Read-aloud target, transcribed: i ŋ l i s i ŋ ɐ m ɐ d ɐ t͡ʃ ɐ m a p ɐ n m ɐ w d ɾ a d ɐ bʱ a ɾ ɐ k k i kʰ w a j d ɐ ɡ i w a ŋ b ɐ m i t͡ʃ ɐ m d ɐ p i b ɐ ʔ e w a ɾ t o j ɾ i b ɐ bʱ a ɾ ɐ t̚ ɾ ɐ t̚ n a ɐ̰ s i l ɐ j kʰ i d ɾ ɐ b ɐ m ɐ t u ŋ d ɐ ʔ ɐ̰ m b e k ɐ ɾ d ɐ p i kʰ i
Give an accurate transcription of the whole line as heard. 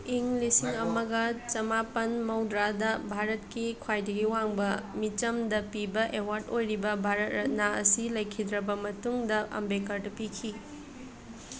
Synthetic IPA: i ŋ l i s i ŋ ɐ m ɐ ɡ ɐ t͡ʃ ɐ m a p ɐ n m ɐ w d ɾ a d ɐ bʱ a ɾ ɐ t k i kʰ w a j d ɐ ɡ i w a ŋ b ɐ m i t͡ʃ ɐ m d ɐ p i b ɐ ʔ e w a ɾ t o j ɾ i b ɐ bʱ a ɾ ɐ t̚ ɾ ɐ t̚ n a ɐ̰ s i l ɐ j kʰ i d ɾ ɐ b ɐ m ɐ t u ŋ d ɐ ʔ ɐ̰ m b e k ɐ ɾ d ɐ p i kʰ i

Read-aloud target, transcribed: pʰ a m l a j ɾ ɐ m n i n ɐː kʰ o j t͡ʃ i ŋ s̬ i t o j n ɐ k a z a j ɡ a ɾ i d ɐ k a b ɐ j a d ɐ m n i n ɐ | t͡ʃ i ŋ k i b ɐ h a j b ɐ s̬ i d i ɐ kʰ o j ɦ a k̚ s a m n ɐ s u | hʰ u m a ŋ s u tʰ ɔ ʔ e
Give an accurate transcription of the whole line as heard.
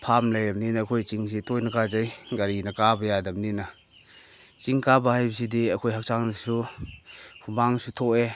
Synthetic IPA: pʰ a m l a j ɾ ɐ m n i n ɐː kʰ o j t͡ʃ i ŋ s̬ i t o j n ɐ k a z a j ɡ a ɾ i n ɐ k a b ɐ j a d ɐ m n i n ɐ | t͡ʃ i ŋ k a b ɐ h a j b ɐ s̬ i d i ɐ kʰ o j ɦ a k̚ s a ŋ n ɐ s u | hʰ u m a ŋ s u tʰ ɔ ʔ e

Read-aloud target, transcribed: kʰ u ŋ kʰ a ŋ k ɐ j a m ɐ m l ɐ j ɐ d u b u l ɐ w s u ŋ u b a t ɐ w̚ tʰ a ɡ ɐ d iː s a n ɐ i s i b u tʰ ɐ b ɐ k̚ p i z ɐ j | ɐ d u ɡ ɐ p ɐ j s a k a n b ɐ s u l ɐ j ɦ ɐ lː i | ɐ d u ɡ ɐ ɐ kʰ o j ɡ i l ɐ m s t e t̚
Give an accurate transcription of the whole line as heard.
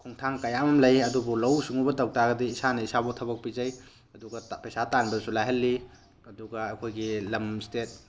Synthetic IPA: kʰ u ŋ tʰ a ŋ k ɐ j a m ɐ m l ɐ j ɐ d u b u l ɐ w s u ŋ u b ɐ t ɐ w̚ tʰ a ɡ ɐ d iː s a n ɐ i s a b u tʰ ɐ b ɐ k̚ p i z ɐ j | ɐ d u ɡ ɐ p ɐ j s a t a n b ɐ s u l a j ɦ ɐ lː i | ɐ d u ɡ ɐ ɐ kʰ o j ɡ i l ɐ m s t e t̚

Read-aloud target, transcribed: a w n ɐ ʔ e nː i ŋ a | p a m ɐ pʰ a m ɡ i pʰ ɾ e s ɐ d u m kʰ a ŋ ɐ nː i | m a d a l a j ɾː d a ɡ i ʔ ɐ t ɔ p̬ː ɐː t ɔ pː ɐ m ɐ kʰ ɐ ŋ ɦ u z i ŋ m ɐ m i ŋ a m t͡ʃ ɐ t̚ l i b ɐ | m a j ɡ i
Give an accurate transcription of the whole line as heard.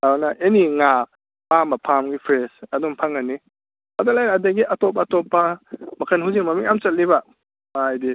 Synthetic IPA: a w n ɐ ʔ e n i ŋ a | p a m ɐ pʰ a m ɡ i pʰ ɾ e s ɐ d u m pʰ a ŋ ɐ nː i | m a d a l a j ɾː d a ɡ i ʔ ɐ t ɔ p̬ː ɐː t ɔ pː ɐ m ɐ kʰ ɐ n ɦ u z i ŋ m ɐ m i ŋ a m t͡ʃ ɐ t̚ l i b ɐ | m a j d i

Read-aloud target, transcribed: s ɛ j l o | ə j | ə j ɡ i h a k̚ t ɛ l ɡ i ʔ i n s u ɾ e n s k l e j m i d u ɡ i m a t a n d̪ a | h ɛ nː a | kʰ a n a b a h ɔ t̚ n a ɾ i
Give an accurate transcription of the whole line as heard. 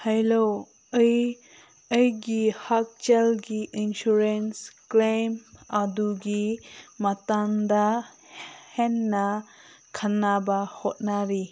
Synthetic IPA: h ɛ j l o | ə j | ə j ɡ i h a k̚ t͡ʃ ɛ l ɡ i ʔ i n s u ɾ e n s k l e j m a d u ɡ i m a t a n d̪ a | h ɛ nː a | kʰ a n a b a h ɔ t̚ n a ɾ i

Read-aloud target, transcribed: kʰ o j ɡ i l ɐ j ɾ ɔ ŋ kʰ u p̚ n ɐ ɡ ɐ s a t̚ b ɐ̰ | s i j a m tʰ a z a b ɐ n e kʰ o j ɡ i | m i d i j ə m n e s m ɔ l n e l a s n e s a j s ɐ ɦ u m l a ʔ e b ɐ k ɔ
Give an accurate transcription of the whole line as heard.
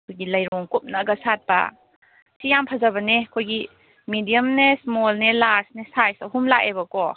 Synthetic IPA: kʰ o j ɡ i l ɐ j ɾ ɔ ŋ k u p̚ n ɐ ɡ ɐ s a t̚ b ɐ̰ | s i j a m pʰ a z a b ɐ n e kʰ o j ɡ i | m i d i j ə m n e s m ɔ l n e l a s n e s a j s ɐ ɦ u m l a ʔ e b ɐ k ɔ

